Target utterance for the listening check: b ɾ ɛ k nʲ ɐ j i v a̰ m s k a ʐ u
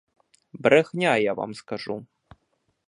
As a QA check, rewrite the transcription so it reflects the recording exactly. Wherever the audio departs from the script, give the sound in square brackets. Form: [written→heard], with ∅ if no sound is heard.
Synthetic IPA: b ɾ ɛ [k→x] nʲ [ɐ→a] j [i→a] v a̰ m s k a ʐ u